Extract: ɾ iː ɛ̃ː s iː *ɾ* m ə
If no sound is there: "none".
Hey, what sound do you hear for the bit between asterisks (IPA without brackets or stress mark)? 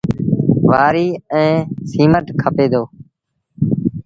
none